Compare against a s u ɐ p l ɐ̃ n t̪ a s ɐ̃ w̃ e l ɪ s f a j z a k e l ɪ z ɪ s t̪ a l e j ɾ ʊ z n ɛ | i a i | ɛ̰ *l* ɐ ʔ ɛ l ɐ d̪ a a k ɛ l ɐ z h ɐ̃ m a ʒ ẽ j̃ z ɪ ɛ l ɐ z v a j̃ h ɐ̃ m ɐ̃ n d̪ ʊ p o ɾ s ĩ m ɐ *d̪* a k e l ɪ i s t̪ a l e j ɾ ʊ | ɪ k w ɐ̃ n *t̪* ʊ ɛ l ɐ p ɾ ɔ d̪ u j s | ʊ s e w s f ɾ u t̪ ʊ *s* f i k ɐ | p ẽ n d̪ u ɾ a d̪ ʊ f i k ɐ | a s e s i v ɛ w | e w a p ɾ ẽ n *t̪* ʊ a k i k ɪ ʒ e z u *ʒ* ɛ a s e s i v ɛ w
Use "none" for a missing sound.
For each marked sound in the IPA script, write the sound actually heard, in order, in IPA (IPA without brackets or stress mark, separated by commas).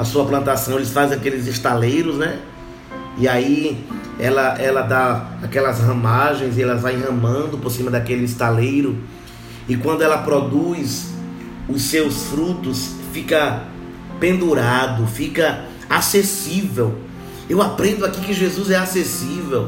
l, d̪, d̪, s, d̪, z